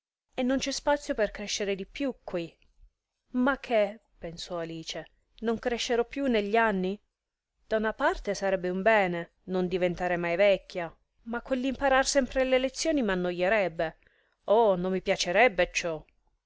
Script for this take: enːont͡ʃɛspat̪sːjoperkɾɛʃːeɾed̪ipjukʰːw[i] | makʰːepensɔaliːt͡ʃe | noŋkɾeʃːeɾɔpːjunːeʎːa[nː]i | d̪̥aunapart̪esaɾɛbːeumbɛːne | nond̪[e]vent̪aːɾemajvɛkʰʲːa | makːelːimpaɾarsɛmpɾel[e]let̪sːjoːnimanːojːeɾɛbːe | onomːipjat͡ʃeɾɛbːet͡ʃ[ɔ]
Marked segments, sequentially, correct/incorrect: correct, correct, incorrect, correct, correct

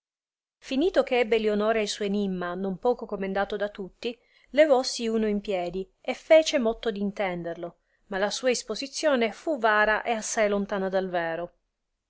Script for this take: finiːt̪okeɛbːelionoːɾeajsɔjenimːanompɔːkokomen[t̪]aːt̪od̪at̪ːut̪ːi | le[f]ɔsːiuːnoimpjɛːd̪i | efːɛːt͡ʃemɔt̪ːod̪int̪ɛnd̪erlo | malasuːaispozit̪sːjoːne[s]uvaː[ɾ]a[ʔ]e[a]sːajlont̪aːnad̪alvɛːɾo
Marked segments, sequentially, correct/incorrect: incorrect, incorrect, incorrect, correct, correct, correct

